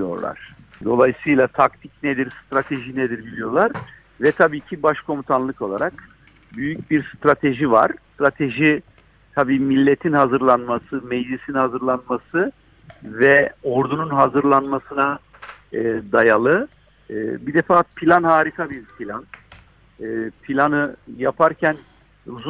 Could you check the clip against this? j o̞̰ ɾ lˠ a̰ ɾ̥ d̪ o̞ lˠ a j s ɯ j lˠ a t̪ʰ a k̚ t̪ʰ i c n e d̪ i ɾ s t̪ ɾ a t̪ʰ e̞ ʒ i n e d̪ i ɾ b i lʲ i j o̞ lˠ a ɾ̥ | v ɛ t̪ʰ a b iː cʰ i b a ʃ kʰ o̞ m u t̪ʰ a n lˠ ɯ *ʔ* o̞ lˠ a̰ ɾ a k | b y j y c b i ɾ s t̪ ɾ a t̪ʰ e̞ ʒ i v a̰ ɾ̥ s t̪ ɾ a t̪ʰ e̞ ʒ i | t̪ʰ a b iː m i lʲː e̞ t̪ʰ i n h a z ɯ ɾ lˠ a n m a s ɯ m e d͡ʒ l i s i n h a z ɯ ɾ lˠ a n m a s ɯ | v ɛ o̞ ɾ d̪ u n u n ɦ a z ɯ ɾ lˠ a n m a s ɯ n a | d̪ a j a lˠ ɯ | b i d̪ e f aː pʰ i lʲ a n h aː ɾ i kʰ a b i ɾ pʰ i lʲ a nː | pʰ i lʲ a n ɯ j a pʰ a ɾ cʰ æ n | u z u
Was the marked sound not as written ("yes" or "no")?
yes